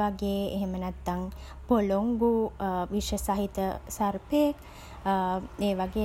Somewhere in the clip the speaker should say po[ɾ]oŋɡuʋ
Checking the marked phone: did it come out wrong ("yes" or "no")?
yes